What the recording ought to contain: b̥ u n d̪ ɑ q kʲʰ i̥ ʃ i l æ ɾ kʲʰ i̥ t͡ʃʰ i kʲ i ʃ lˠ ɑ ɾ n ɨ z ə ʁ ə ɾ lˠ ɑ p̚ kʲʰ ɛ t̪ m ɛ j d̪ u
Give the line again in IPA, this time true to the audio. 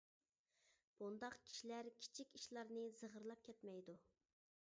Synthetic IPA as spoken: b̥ u n d̪ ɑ q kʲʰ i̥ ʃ i l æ ɾ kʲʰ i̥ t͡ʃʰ i kʲ i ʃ lˠ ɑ ɾ n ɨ z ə ʁ ə ɾ lˠ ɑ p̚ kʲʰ ɛ t̪ m ɛ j d̪ u